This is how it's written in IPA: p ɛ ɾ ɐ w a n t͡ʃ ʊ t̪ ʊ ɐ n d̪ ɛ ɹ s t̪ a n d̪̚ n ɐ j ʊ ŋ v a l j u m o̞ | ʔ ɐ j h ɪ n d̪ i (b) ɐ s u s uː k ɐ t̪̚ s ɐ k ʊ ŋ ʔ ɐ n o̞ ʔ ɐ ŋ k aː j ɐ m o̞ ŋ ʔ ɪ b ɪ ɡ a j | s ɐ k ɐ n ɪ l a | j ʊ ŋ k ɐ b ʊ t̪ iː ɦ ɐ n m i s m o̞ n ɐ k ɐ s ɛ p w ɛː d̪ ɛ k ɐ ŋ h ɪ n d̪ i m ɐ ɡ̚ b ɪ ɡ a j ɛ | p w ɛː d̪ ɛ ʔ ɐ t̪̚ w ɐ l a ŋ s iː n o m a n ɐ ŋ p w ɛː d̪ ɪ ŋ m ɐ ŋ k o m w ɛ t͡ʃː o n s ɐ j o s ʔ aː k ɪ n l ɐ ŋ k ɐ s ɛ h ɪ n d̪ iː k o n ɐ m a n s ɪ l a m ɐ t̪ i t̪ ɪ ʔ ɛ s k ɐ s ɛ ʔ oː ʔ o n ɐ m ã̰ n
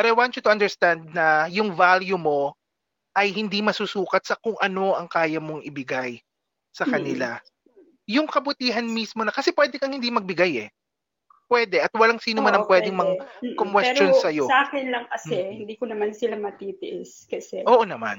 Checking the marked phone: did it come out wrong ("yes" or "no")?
yes